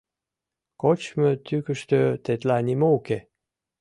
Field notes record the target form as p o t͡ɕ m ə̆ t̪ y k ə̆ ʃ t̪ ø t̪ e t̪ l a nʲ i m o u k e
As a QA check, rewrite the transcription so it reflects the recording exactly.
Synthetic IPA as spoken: k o t͡ɕ m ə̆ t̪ y k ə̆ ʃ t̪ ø t̪ e t̪ l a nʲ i m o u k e